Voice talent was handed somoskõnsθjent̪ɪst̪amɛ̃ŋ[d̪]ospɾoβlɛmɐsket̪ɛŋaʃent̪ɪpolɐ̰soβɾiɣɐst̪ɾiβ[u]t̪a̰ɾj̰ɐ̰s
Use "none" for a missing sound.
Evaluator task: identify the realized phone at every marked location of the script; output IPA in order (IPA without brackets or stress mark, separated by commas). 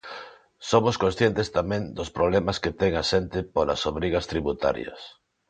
d̪, u